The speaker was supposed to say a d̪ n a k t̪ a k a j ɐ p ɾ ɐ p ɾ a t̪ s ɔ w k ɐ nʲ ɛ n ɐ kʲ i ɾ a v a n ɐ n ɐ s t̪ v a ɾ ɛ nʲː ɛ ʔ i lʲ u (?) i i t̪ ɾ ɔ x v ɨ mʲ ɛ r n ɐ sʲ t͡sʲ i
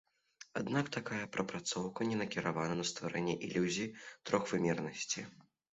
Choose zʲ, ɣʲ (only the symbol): zʲ